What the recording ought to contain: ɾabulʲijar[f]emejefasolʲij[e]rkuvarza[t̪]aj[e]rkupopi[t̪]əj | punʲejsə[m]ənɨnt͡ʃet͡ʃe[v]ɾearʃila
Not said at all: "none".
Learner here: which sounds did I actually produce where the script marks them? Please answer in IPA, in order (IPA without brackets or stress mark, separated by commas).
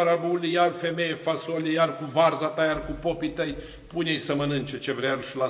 f, a, t̪, a, t̪, m, v